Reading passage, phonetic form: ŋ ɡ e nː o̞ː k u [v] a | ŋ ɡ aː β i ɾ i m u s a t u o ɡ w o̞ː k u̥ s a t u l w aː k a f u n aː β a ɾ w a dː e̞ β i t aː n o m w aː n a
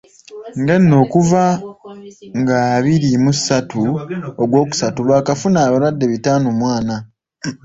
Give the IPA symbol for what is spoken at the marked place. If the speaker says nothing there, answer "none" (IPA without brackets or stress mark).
v